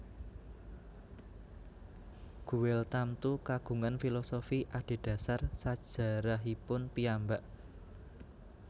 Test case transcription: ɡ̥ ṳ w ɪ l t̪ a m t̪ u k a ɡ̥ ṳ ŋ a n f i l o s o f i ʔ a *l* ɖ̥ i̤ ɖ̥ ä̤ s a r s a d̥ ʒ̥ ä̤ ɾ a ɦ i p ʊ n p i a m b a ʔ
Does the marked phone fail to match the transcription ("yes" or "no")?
yes